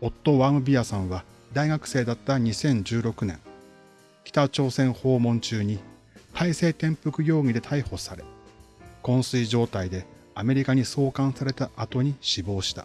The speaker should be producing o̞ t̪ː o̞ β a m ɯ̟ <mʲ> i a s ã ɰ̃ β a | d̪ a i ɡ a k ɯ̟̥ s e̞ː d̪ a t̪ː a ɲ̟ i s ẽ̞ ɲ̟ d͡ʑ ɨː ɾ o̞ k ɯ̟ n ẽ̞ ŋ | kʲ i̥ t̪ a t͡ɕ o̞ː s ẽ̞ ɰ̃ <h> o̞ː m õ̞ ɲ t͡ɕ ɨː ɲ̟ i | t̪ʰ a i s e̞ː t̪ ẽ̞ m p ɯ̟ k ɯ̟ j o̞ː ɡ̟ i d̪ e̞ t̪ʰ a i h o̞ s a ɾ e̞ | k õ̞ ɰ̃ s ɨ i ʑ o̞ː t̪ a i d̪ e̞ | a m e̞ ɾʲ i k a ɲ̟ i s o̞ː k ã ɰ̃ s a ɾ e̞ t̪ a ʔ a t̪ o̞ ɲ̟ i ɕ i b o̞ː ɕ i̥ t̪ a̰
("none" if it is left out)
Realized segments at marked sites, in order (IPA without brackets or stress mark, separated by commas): bʲ, h